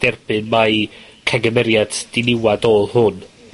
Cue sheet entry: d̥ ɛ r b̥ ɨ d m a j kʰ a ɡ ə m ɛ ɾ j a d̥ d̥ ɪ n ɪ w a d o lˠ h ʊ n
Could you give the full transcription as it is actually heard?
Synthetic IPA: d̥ ɛ r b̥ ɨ n m a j kʰ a ɡ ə m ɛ ɾ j a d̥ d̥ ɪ n ɪ w a d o lˠ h ʊ n